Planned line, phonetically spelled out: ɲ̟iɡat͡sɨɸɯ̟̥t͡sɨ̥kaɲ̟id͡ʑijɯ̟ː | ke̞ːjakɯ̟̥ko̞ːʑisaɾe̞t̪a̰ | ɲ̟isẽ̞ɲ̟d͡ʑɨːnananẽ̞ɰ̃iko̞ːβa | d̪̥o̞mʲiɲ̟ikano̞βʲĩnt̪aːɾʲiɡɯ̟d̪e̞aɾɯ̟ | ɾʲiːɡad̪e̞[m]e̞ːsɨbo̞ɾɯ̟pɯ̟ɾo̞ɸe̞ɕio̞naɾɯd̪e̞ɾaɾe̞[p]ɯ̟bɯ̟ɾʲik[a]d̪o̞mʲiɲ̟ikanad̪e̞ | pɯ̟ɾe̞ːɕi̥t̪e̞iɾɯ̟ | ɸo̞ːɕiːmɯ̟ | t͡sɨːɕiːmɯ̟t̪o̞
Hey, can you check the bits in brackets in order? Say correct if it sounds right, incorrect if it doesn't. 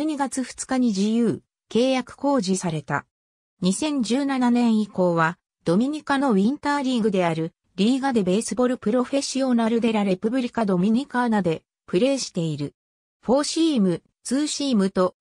incorrect: b, correct, correct

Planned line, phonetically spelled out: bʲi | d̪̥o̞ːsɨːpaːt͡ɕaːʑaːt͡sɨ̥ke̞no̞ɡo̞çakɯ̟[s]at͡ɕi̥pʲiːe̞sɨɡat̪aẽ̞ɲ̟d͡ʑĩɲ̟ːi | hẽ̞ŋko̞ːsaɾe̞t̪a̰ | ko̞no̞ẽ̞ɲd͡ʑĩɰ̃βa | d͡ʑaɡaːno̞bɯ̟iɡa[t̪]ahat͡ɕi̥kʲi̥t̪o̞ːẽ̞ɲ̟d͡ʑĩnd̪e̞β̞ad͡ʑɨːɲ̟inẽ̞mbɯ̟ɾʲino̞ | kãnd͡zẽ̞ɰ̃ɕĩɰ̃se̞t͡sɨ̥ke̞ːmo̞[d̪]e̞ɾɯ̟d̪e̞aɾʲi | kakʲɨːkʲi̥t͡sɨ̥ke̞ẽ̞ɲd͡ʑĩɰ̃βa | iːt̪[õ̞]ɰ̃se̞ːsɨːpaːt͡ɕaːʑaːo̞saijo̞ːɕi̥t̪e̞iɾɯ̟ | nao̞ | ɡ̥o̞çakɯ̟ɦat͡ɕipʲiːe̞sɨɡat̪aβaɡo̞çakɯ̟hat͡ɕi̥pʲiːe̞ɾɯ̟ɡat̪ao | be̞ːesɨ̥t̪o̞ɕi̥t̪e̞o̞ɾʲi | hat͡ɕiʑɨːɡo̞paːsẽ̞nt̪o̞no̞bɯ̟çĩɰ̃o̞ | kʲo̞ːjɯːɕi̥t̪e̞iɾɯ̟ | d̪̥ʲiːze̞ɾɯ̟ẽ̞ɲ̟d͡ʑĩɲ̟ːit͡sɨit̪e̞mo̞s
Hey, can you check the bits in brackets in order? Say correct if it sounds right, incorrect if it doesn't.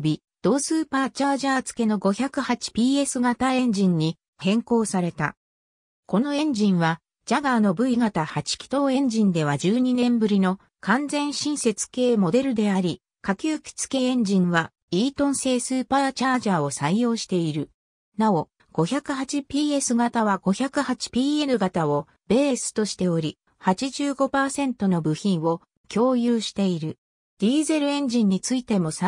incorrect: h, correct, correct, correct

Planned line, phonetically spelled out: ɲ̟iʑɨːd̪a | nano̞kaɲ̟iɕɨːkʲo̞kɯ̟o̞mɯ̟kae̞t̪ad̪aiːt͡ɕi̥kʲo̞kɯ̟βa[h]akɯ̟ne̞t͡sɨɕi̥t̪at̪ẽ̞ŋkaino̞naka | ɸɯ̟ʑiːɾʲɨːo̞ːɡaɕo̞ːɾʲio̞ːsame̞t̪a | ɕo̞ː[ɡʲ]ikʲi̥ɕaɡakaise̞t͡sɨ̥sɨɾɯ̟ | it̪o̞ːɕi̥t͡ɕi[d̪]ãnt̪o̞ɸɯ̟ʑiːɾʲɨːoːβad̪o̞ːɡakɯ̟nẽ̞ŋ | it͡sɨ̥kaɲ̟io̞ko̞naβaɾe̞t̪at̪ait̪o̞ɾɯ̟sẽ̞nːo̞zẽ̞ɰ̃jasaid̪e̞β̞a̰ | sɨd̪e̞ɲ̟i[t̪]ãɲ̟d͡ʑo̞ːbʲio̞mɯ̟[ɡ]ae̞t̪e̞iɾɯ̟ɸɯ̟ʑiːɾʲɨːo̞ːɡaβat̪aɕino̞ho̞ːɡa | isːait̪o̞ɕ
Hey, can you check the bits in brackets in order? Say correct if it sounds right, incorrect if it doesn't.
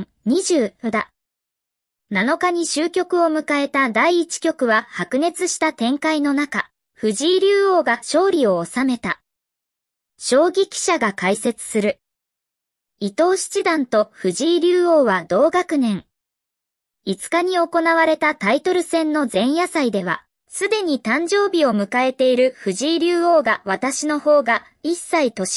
correct, correct, correct, correct, incorrect: k

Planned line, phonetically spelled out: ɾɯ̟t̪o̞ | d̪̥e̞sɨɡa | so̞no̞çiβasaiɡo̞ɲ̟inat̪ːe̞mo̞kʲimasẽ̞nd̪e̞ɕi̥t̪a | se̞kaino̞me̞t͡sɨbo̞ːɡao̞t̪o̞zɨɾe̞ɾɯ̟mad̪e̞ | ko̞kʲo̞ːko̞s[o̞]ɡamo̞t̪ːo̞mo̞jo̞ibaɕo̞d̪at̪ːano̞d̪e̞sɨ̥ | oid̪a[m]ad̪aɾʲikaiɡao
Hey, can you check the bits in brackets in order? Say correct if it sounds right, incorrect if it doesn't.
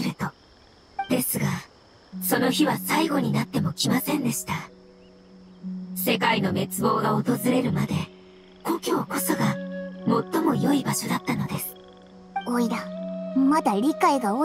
correct, correct

